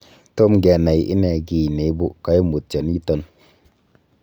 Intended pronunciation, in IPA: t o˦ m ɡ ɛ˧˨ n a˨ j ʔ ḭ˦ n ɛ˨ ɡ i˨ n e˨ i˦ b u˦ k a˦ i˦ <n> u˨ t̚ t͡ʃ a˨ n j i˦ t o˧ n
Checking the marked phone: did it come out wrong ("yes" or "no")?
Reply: yes